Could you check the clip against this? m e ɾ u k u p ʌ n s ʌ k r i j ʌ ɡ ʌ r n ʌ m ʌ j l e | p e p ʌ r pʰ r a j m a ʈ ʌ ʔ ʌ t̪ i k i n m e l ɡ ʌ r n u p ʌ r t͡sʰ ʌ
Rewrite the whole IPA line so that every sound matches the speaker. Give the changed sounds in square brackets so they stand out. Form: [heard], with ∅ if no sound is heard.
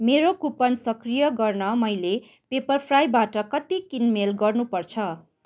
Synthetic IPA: m e ɾ [o] k u p ʌ n s ʌ k r i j ʌ ɡ ʌ r n ʌ m ʌ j l e | p e p ʌ r pʰ r a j [b] a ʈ ʌ [k] ʌ t̪ i k i n m e l ɡ ʌ r n u p ʌ r t͡sʰ ʌ

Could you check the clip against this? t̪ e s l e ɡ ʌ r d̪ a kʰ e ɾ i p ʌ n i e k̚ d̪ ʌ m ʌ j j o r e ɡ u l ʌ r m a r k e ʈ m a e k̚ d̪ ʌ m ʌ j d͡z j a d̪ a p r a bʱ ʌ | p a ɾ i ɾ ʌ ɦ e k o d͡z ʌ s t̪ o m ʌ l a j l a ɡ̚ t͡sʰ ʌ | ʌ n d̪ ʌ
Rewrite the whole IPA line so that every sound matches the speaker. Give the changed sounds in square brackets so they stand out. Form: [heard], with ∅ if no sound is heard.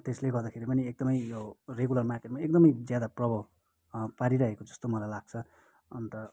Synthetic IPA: t̪ e s l e ɡ ʌ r d̪ a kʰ e ɾ i p ʌ n i e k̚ d̪ ʌ m ʌ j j o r e ɡ u l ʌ r m a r k e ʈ m a e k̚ d̪ ʌ m ʌ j d͡z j a d̪ a p r [ʌ] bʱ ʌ | p a ɾ i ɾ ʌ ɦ e k o d͡z ʌ s t̪ o m ʌ l a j l a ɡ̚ t͡sʰ ʌ | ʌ n [t̪] ʌ

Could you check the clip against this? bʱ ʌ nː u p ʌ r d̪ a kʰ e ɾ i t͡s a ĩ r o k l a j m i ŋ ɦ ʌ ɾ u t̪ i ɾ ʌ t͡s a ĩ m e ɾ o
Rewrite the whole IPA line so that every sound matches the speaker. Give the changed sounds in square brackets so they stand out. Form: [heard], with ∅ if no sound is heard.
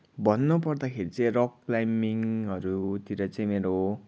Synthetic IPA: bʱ ʌ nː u p ʌ r d̪ a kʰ e ɾ i t͡s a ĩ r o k l a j m i ŋ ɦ ʌ ɾ u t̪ i ɾ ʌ t͡s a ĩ m e ɾ o

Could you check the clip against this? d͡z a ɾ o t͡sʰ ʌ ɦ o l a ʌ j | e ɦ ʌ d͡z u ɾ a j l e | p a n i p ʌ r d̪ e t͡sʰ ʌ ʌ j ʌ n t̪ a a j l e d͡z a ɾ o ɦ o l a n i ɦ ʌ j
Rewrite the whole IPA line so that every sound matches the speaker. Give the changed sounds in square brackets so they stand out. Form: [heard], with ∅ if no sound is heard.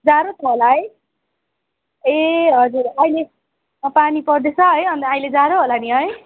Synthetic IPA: d͡z a ɾ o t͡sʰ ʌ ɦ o l a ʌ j | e ɦ ʌ d͡z u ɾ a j l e | p a n i p ʌ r d̪ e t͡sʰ ʌ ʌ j ʌ n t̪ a a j l e d͡z a ɾ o ɦ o l a n i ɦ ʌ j

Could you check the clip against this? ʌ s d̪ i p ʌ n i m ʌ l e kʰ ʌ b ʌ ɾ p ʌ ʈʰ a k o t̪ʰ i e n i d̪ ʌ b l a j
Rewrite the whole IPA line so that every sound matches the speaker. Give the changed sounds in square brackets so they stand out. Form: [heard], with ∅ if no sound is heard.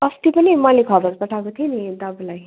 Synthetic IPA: ʌ s [t̪] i p ʌ n i m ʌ l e kʰ ʌ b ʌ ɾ p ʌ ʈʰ a k o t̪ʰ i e n i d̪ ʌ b l a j

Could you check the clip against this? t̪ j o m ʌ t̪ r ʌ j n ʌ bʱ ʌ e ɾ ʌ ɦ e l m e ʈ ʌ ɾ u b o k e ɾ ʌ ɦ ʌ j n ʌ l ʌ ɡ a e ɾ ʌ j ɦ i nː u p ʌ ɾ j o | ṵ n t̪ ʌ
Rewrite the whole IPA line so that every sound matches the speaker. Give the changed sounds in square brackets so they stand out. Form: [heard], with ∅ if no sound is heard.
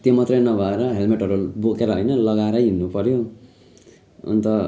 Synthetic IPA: t̪ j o m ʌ t̪ r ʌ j n ʌ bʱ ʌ e ɾ ʌ ɦ e l m e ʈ ʌ ɾ u b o k e ɾ ʌ ɦ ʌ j n ʌ l ʌ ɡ a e ɾ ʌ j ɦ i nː u p ʌ ɾ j o | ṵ n t̪ ʌ

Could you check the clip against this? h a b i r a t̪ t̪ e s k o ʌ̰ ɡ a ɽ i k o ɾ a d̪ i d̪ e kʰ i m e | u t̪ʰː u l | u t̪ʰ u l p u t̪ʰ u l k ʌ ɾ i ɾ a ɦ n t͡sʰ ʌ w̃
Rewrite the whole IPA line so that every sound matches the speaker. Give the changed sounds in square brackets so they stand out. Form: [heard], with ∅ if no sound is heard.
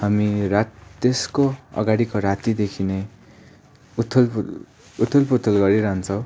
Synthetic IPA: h a [m] i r a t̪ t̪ e s k o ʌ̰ ɡ a ɽ i k o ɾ a [t̪] i d̪ e kʰ i [n] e | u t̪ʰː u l | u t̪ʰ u l p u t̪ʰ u l [ɡ] ʌ ɾ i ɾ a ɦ n t͡sʰ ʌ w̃

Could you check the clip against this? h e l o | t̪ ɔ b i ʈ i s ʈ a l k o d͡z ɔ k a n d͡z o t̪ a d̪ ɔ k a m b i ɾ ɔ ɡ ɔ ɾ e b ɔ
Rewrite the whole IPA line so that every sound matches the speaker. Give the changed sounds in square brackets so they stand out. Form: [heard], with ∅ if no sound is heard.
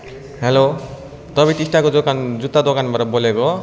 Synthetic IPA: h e l o | t̪ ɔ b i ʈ i s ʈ a [∅] k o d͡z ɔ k a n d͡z [u] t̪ a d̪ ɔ k a [n] b [a] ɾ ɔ [b] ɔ [l] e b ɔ

